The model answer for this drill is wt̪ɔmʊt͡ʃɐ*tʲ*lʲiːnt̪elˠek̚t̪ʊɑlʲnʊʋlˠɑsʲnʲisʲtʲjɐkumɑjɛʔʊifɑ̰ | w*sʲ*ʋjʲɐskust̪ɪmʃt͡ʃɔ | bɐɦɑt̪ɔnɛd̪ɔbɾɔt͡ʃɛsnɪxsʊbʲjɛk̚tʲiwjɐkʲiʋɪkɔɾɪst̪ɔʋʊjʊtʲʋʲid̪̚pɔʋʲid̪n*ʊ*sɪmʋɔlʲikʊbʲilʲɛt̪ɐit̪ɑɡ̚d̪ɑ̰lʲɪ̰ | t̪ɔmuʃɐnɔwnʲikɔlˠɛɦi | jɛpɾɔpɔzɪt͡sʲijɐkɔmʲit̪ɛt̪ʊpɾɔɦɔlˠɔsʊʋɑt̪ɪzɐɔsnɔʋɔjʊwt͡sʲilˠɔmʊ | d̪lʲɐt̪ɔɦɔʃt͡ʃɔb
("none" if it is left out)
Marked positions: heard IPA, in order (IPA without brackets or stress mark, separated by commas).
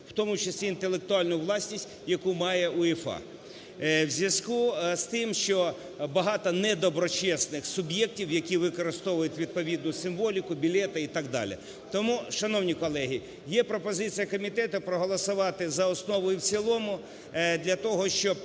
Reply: sʲ, zʲ, ʊ